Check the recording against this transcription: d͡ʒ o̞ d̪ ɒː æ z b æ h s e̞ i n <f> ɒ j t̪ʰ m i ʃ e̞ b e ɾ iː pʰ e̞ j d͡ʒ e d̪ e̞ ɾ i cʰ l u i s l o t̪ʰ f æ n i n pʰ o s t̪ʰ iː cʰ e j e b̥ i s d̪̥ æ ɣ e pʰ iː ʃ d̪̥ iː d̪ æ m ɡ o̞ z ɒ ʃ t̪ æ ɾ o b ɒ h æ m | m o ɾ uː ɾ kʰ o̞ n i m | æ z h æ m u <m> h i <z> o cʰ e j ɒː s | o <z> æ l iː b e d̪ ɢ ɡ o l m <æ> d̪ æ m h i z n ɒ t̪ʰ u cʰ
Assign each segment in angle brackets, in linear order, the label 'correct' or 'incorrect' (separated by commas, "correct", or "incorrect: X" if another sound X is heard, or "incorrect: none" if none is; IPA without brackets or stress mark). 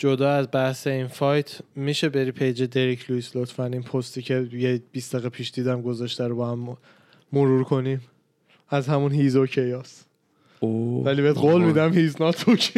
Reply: correct, incorrect: n, correct, incorrect: v, incorrect: i